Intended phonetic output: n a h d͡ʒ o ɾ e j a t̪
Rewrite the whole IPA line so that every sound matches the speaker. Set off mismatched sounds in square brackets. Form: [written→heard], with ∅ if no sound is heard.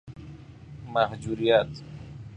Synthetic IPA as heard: [n→m] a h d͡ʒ [o→u] ɾ [e→i] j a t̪